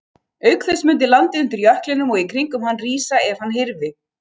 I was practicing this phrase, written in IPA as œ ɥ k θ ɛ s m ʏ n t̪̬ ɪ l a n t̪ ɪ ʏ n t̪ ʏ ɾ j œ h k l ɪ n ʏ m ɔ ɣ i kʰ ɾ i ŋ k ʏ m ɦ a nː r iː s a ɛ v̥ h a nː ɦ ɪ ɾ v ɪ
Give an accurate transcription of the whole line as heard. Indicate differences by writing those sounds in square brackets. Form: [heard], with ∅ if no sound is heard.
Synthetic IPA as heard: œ ɥ k θ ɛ s m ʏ n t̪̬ ɪ l a n t̪ ɪ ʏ n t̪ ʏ ɾ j œ h k l ɪ n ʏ m ɔ ɣ i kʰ ɾ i ŋ k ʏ m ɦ a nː r iː s a ɛ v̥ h a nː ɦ ɪ ɾ v ɪ